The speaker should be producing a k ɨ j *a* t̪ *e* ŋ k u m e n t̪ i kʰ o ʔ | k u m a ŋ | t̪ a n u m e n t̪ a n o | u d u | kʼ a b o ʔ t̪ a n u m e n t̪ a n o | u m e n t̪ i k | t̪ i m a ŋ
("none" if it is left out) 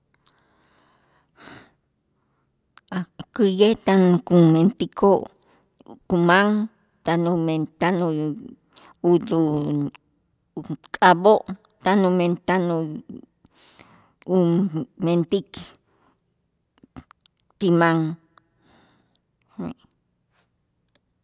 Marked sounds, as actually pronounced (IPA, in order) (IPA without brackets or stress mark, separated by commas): e, a